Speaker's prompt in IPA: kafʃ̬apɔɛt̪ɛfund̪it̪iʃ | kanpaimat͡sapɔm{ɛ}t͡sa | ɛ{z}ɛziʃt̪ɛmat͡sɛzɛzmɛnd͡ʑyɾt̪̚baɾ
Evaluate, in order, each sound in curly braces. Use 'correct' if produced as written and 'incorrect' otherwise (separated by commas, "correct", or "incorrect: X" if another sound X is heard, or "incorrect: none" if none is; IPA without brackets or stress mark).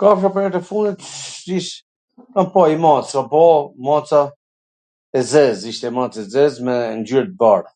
incorrect: a, correct